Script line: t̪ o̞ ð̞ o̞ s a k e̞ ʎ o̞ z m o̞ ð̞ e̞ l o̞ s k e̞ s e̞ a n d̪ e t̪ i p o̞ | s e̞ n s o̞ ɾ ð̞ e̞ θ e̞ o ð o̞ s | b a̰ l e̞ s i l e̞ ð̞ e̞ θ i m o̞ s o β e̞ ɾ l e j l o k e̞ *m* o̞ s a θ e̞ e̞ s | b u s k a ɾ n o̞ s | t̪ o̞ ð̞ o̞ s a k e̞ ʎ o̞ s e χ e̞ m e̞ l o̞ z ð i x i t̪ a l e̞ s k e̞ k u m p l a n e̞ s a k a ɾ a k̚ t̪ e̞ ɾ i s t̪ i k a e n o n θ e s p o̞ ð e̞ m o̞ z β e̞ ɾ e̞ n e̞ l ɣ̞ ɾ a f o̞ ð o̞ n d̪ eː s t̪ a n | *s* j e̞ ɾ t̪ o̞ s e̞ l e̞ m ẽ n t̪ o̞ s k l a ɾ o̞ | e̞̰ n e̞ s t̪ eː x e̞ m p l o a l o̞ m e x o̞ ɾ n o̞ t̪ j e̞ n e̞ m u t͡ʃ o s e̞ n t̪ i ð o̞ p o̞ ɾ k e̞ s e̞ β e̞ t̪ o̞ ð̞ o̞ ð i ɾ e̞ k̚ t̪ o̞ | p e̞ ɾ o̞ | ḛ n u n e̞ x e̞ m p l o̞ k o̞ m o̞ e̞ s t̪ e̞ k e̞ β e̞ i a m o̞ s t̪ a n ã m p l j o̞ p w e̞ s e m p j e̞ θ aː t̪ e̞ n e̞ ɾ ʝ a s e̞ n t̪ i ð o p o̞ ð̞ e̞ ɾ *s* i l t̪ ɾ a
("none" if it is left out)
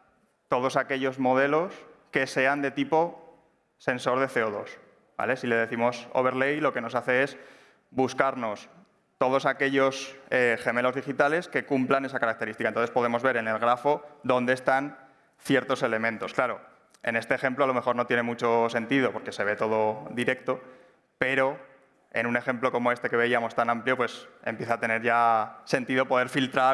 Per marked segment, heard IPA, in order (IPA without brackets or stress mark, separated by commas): n, θ, f